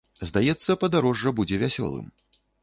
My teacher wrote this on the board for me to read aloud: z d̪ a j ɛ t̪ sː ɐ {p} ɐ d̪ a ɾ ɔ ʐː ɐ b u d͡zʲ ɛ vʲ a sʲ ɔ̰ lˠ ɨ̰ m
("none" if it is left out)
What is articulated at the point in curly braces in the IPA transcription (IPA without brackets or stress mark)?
p